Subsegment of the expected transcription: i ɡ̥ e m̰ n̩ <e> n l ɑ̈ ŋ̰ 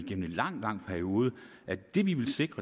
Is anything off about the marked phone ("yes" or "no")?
no